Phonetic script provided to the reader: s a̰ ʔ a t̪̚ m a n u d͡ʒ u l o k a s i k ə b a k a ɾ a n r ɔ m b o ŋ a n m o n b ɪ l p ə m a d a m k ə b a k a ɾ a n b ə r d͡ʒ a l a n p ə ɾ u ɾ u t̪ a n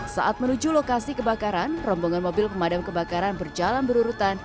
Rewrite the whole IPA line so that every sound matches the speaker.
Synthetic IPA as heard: s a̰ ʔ a t̪̚ m ə n u d͡ʒ u l o k a s i k ə b a k a ɾ a n r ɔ m b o ŋ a n m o b ɪ l p ə m a d a m k ə b a k a ɾ a n b ə r d͡ʒ a l a n b ə ɾ u ɾ u t̪ a n